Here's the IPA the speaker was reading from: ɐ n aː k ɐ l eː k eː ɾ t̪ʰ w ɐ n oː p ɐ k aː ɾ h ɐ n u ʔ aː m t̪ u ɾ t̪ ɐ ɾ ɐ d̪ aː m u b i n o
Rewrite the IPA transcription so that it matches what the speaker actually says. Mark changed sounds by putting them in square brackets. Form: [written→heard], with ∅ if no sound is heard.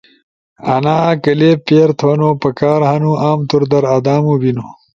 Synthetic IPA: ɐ n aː k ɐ l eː [k→p] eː ɾ t̪ʰ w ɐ n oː p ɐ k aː ɾ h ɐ n u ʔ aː m t̪ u ɾ [t̪→d̪] ɐ ɾ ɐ d̪ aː m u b i n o